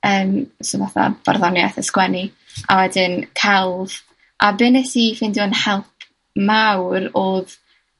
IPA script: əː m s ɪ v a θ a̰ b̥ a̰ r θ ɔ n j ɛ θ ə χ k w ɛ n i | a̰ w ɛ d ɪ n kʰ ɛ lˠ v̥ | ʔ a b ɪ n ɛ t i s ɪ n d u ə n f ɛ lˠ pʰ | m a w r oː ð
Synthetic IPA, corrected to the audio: əː m s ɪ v a θ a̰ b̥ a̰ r ð ɔ n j a θ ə s k w ɛ n i | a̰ w ɛ d ɪ n kʰ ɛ lˠ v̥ | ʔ a b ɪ n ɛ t i f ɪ n d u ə n h ɛ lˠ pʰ | m a w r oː ð